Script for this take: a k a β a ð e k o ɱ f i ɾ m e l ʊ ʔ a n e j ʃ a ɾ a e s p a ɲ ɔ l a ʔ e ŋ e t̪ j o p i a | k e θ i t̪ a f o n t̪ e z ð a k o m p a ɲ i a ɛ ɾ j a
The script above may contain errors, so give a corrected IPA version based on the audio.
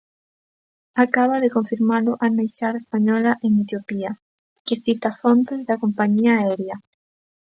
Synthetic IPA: a k a β a ð e k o ɱ f i ɾ m a l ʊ ʔ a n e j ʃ a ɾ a e s p a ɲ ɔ l a ʔ e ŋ e t̪ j o p i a | k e θ i t̪ a f o n t̪ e z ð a k o m p a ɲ i a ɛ ɾ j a